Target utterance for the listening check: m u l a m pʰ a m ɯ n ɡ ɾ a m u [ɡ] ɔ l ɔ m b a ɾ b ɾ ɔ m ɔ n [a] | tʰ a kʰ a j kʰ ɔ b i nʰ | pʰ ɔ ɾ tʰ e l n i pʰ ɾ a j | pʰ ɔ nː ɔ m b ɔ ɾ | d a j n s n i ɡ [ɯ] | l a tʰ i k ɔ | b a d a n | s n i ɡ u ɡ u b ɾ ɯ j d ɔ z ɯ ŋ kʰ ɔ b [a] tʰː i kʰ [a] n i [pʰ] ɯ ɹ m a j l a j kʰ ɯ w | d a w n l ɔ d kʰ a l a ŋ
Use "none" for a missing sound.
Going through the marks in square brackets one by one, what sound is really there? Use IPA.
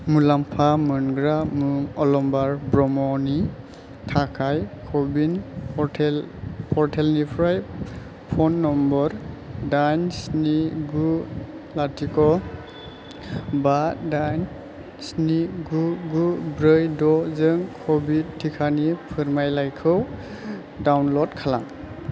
ŋ, i, u, i, a, pʰ

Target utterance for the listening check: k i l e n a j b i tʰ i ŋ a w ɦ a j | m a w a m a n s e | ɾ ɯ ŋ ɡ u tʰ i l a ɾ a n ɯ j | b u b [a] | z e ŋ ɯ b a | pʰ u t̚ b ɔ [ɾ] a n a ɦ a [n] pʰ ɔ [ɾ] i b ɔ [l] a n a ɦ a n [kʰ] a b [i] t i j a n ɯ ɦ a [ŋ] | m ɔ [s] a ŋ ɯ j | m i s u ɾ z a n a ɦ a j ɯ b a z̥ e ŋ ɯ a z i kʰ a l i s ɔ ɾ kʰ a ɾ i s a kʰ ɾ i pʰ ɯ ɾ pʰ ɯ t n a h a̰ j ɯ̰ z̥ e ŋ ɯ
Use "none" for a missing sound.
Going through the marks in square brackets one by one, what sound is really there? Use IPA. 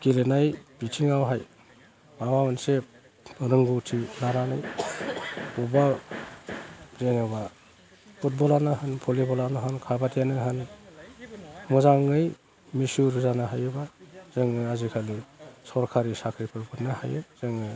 a, l, n, l, l, kʰ, a, n, z

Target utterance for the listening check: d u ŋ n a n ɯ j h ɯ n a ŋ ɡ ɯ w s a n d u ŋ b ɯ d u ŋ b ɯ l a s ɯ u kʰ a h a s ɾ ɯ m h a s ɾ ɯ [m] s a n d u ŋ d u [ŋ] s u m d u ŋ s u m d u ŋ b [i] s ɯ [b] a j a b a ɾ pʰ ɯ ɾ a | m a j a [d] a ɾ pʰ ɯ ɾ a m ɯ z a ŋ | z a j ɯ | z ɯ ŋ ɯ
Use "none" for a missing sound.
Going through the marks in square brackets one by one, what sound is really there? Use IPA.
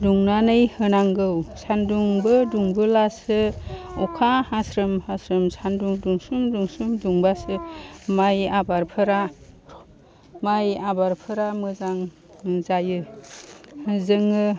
m, ŋ, a, m, b

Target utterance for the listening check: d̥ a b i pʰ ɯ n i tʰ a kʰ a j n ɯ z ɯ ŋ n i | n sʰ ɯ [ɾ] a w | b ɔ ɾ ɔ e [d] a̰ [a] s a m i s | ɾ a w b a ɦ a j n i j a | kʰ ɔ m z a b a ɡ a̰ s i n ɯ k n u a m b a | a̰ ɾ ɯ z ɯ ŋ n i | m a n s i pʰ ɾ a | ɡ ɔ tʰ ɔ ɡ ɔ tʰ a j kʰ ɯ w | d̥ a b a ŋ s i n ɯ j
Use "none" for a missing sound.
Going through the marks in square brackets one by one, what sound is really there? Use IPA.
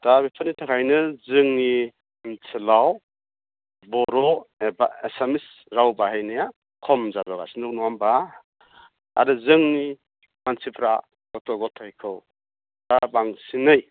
l, b, e

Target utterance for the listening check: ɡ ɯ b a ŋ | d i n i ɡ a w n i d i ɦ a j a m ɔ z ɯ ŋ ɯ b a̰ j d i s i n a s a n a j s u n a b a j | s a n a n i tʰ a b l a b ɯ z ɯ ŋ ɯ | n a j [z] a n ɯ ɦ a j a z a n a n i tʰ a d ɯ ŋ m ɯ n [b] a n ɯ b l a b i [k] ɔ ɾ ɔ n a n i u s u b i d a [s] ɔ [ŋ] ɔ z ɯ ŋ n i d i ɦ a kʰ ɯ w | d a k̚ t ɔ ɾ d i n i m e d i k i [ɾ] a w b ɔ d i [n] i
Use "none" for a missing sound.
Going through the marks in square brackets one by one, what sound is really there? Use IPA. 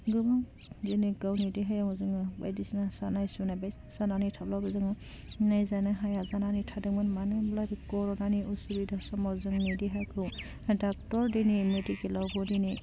z, m, k, s, m, l, n

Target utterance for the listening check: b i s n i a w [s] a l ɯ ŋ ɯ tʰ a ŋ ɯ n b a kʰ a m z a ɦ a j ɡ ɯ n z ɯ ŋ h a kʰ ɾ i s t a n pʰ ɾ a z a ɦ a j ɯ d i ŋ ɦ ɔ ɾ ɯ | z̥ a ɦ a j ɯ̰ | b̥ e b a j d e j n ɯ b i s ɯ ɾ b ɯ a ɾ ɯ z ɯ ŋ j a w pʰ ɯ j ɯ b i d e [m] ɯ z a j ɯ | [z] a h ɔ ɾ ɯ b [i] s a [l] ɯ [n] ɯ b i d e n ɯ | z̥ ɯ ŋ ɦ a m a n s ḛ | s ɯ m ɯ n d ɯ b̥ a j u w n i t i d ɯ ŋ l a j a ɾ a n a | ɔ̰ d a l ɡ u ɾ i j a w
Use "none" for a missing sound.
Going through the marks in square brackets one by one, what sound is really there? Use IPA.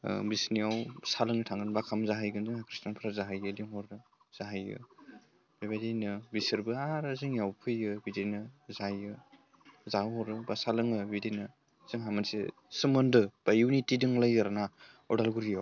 s, n, z, a, l, ŋ

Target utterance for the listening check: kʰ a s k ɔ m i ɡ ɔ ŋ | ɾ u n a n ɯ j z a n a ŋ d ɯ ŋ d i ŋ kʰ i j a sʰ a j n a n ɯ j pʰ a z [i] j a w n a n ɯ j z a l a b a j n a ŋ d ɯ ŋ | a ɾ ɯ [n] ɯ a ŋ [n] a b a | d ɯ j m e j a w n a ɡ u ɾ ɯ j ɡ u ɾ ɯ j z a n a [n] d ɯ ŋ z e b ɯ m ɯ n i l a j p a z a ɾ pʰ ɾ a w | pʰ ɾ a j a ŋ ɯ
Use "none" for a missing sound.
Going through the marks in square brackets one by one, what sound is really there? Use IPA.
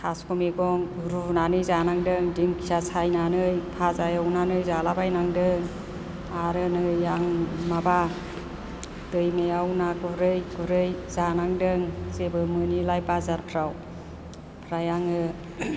a, n, m, ŋ

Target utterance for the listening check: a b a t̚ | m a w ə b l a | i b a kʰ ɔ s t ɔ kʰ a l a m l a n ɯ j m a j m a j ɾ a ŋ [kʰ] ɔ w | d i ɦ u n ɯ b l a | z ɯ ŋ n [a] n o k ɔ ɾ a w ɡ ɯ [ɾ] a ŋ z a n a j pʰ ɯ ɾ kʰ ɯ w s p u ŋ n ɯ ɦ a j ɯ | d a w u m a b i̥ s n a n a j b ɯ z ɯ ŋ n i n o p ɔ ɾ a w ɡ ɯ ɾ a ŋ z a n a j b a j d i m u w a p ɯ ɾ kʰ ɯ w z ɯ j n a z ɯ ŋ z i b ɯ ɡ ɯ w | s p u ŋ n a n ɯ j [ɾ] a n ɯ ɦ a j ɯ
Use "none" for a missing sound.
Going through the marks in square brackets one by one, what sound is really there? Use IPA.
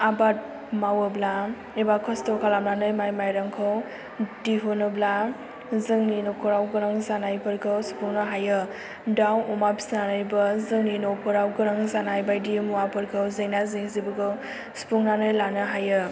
kʰ, i, ɾ, l

